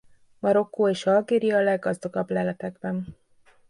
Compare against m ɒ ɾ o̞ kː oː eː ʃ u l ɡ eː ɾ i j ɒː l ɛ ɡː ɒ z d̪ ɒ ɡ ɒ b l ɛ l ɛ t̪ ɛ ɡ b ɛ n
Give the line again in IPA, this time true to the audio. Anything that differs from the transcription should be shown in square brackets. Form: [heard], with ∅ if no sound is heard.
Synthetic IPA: m ɒ ɾ o̞ kː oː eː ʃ [ɒ] l ɡ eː ɾ i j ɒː l ɛ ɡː ɒ z d̪ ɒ ɡ ɒ b l ɛ l ɛ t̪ ɛ ɡ b ɛ n

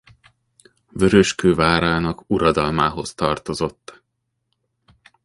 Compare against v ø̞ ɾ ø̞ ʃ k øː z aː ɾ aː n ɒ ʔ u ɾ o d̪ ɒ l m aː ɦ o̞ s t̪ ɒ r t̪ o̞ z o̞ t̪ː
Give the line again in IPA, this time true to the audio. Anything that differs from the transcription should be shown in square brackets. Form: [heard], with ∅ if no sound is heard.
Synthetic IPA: v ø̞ ɾ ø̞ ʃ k øː [v] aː ɾ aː n ɒ [k] u ɾ [ɒ] d̪ ɒ l m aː ɦ o̞ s t̪ ɒ r t̪ o̞ z o̞ t̪ː

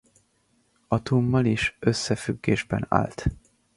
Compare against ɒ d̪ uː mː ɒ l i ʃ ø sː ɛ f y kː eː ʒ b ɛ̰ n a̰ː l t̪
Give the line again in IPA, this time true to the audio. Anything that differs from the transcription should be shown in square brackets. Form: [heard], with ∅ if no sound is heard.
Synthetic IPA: ɒ [t̪] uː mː ɒ l i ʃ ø sː ɛ f y [ɡː] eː ʒ b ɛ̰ n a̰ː l t̪

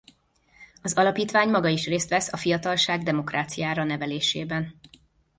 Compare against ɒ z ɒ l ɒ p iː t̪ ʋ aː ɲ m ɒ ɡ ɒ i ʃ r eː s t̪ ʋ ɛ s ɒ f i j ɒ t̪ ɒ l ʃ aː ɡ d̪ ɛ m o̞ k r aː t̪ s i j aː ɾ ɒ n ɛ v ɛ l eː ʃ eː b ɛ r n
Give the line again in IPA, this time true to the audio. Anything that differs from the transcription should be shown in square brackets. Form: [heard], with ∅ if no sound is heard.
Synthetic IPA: ɒ z ɒ l ɒ p iː t̪ ʋ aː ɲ m ɒ ɡ ɒ i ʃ r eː s t̪ ʋ ɛ s ɒ f i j ɒ t̪ ɒ l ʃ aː ɡ d̪ ɛ m o̞ k r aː t̪ s i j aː ɾ ɒ n ɛ v ɛ l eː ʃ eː b ɛ [∅] n

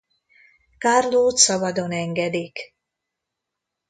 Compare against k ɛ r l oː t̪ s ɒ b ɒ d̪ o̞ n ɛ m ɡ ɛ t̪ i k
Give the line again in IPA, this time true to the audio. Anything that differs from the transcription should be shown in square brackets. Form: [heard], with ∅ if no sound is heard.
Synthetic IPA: k [a] r l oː t̪ s ɒ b ɒ d̪ o̞ n ɛ [ŋ] ɡ ɛ [d̪] i k

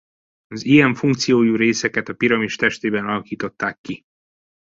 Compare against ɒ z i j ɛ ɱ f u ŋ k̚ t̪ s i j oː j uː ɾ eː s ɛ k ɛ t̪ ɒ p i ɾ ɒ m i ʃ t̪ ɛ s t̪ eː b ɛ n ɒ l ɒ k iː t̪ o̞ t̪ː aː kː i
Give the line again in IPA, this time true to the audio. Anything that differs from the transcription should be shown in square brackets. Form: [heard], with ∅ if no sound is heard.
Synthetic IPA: ɒ z i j ɛ ɱ f u ŋ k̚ t̪ s i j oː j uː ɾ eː s ɛ k ɛ t̪ ɒ p i ɾ ɒ m i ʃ t̪ ɛ [ʃ] t̪ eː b ɛ n ɒ l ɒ k iː t̪ o̞ t̪ː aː kː i

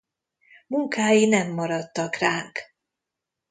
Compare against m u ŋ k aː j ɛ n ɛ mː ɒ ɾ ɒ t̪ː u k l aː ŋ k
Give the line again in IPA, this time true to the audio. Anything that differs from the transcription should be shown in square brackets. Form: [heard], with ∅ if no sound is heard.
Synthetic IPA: m u ŋ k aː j [i] n ɛ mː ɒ ɾ ɒ t̪ː [ɒ] k [r] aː ŋ k

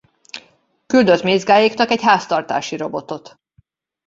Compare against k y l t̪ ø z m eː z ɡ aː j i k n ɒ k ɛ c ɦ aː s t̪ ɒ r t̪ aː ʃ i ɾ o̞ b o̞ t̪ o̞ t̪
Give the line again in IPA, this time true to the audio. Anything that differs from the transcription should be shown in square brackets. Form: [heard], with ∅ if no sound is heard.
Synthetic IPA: k y l [d̪] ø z m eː z ɡ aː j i k n ɒ k ɛ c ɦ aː s t̪ ɒ r t̪ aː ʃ i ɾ o̞ b o̞ t̪ o̞ t̪

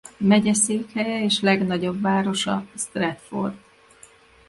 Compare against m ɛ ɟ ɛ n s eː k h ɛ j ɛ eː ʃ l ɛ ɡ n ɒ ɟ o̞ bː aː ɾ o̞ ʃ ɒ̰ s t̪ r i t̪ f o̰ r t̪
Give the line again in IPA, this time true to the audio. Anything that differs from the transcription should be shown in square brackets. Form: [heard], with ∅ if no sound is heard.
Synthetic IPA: m ɛ ɟ ɛ [∅] s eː k h ɛ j ɛ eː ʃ l ɛ ɡ n ɒ ɟ o̞ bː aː ɾ o̞ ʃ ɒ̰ s t̪ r [ɛ] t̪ f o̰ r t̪

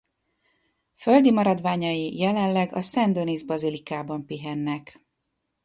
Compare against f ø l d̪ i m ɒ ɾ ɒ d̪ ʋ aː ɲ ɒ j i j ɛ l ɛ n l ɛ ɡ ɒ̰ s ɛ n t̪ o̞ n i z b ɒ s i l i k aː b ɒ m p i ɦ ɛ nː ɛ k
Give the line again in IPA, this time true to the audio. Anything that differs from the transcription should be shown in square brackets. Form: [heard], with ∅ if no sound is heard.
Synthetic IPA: f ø l d̪ i m ɒ ɾ ɒ d̪ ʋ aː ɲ ɒ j i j ɛ l ɛ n l ɛ ɡ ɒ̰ s ɛ n [d̪] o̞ n i z b ɒ [z] i l i k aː b ɒ m p i ɦ ɛ nː ɛ k

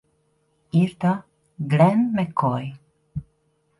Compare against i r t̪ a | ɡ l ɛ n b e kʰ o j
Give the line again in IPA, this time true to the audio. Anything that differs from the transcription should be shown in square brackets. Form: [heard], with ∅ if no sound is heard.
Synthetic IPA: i [ɾ] t̪ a | ɡ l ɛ n [m] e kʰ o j

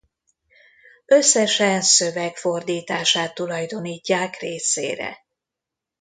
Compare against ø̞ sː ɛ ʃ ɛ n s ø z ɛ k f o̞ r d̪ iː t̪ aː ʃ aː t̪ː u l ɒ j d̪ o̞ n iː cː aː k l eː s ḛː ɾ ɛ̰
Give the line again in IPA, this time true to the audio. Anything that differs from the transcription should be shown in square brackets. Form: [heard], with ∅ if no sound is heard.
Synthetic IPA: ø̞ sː ɛ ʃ ɛ n s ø [v] ɛ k f o̞ r d̪ iː t̪ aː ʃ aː t̪ː u l ɒ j d̪ o̞ n iː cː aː k [r] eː s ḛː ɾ ɛ̰

